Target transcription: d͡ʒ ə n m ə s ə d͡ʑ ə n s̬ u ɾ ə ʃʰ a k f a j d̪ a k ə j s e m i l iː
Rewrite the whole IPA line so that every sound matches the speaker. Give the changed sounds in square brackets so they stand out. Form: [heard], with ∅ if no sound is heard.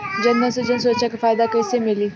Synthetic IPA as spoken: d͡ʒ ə n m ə s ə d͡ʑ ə n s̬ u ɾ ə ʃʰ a k f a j d̪ a k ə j s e m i l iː